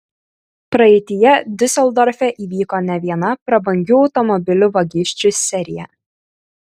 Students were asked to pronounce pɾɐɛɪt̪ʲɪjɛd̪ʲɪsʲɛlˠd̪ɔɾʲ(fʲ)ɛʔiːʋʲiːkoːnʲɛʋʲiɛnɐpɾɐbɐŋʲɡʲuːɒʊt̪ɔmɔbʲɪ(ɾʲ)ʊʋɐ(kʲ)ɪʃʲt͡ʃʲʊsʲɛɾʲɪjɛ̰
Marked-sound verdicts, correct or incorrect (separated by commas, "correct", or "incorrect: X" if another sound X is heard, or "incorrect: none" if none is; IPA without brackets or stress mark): correct, incorrect: lʲ, incorrect: ɡʲ